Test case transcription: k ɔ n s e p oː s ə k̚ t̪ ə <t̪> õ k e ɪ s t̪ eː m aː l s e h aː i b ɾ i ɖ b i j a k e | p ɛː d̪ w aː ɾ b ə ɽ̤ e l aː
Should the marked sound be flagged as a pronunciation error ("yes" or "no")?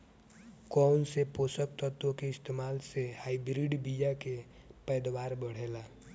no